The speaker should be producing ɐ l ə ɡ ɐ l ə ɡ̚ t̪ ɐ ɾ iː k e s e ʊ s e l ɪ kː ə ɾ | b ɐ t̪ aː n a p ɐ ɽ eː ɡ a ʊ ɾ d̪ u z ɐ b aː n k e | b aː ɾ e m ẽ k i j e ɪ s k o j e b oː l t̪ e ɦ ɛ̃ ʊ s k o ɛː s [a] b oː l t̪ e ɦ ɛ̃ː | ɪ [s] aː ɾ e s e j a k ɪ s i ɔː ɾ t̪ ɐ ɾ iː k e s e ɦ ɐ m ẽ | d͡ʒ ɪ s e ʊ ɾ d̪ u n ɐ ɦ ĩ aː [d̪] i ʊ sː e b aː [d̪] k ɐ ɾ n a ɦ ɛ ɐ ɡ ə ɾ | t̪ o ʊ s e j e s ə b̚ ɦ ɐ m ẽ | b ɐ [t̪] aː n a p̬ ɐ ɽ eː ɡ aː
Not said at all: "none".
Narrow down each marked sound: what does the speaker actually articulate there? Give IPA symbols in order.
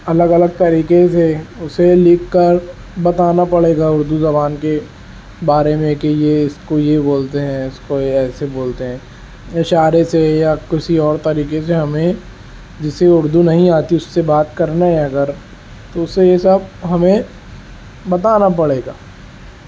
e, ʃ, t̪, t̪, t̪

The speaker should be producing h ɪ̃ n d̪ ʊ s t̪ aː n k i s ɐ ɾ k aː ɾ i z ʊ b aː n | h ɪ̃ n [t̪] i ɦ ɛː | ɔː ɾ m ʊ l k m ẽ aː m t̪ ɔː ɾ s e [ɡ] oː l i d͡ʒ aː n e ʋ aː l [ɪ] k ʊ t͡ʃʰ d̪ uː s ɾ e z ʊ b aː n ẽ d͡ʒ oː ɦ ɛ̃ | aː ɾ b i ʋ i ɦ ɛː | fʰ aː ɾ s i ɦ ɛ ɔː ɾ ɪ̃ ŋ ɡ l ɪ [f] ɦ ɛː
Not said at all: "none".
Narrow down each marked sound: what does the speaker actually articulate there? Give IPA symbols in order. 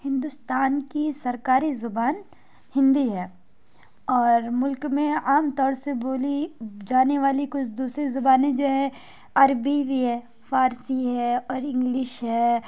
d̪, b, i, ʃ

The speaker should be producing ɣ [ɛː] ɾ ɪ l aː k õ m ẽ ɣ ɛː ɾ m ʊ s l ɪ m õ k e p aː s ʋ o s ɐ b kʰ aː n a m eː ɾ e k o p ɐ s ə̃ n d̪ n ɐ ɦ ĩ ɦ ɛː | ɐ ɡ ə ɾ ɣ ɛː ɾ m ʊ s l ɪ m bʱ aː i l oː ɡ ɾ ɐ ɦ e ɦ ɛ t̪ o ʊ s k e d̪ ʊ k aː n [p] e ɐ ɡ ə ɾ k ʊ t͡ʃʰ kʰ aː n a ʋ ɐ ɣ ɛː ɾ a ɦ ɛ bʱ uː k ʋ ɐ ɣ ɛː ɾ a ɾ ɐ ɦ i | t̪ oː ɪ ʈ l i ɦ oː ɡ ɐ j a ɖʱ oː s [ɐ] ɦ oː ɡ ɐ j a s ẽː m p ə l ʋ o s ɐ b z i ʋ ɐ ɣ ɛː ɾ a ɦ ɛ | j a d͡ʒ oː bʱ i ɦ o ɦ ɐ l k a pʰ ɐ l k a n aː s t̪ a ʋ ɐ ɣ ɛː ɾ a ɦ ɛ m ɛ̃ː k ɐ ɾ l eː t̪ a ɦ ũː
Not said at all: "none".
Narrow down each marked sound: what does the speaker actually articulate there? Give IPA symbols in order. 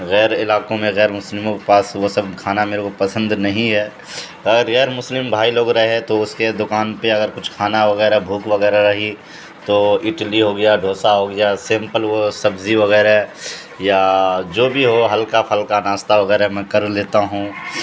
ɛː, p, a

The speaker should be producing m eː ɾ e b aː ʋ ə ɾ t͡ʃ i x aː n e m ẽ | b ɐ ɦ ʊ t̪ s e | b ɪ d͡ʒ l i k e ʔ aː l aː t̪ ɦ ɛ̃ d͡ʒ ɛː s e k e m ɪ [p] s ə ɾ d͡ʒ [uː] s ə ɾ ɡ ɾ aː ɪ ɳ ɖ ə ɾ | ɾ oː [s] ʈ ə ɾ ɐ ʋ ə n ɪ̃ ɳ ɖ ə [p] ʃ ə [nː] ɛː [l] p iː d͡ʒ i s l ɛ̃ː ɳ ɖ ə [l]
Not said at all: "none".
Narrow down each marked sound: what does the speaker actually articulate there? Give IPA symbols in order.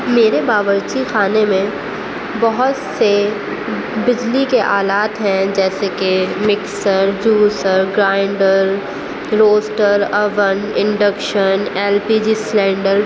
k, uː, s, k, n, l, ɾ

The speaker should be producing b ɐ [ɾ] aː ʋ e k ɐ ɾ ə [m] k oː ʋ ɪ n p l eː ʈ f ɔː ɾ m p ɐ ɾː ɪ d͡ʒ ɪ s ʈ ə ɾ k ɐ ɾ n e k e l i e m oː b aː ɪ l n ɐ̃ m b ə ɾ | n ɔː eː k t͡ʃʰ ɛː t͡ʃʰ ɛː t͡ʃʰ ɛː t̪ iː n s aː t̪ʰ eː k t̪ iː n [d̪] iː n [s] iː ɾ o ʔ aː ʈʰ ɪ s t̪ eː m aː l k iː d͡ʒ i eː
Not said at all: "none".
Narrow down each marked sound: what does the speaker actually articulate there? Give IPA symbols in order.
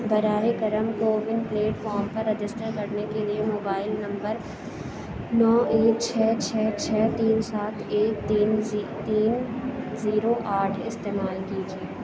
ɾ, m, t̪, z

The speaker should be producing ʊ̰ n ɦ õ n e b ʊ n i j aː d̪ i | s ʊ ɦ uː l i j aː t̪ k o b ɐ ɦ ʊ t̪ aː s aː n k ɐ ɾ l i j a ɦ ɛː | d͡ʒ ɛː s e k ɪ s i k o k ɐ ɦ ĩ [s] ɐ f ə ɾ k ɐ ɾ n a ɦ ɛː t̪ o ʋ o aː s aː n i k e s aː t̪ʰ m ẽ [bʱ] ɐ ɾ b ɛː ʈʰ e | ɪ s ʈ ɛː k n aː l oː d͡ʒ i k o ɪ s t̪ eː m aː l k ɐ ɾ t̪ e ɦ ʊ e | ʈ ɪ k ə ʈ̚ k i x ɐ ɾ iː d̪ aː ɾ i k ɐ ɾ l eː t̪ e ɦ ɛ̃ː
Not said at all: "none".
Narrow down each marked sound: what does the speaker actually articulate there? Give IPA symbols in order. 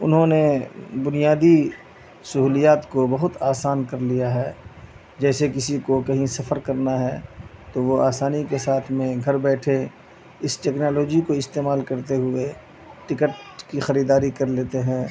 s, ɡʱ

